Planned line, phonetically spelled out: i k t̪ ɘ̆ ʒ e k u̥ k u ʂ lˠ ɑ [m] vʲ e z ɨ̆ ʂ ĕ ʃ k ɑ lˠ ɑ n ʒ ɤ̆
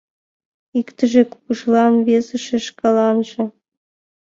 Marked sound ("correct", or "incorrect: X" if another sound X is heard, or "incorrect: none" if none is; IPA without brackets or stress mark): incorrect: n